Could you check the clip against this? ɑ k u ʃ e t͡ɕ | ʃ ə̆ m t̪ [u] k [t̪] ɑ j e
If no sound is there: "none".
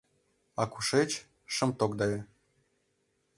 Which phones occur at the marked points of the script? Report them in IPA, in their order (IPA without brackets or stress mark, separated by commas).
o, d̪